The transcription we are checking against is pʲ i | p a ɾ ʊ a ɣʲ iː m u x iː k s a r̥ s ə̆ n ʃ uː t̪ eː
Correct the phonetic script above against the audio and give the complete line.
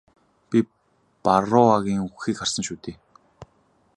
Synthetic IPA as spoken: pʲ i | p a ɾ ʊ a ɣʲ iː ŋ u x iː k χ a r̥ s ə̆ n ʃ uː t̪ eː